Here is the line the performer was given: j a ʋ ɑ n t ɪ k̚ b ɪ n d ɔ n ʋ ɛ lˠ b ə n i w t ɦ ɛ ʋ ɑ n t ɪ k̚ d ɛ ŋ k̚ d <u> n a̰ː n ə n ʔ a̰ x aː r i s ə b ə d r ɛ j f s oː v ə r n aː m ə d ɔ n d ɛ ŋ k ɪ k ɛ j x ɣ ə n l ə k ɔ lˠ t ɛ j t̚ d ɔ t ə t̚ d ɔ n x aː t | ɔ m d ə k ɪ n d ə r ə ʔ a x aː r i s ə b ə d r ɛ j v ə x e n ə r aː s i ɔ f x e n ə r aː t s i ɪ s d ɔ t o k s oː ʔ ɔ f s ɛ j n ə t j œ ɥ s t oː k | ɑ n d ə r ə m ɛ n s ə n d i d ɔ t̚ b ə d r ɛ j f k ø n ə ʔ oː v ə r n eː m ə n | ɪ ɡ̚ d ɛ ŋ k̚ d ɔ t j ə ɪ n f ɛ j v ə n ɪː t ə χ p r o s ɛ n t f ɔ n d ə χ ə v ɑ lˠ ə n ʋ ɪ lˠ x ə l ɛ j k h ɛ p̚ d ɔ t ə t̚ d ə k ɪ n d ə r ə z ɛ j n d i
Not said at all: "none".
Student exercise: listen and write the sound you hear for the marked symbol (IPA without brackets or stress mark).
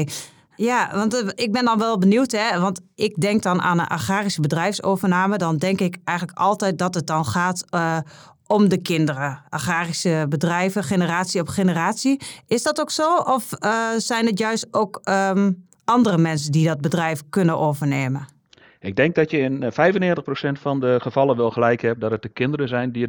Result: ɔ